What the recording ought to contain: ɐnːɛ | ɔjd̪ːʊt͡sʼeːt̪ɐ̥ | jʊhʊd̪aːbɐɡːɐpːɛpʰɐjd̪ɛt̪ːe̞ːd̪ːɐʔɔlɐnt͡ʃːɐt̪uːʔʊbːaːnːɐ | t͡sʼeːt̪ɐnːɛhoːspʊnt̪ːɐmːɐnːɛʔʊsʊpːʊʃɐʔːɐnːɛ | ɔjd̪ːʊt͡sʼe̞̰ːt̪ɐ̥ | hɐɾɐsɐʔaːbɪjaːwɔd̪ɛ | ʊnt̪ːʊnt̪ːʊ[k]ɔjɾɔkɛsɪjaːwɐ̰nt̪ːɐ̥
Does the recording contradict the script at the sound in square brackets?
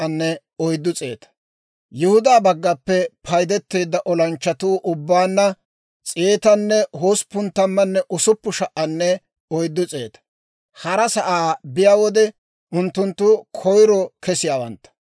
yes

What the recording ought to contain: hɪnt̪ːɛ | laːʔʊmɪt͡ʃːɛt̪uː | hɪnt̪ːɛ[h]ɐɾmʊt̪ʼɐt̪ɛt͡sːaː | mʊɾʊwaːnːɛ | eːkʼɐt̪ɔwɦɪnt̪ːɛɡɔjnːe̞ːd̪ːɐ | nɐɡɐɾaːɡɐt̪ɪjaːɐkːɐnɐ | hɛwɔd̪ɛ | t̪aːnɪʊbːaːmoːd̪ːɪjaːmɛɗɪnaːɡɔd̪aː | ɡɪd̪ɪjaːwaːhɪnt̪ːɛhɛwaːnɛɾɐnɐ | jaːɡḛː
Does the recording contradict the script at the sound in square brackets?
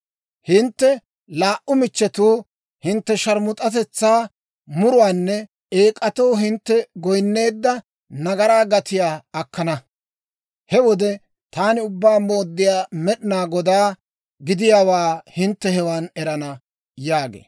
yes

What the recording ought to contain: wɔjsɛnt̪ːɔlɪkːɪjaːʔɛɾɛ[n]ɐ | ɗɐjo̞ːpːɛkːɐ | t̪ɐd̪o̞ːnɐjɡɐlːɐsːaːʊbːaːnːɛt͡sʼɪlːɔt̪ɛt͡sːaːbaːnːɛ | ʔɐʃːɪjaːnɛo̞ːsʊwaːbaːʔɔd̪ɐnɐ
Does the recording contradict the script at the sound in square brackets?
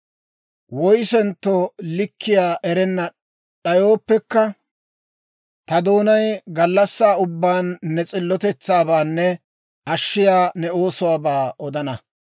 yes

